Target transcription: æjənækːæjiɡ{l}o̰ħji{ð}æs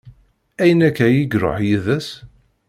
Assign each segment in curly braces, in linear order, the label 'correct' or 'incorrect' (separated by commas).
incorrect, correct